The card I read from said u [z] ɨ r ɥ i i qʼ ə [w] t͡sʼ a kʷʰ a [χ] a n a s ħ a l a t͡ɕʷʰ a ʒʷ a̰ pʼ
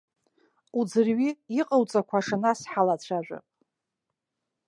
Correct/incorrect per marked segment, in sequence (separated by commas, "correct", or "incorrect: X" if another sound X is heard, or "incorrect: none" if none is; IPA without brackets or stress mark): incorrect: d͡z, correct, incorrect: ʂ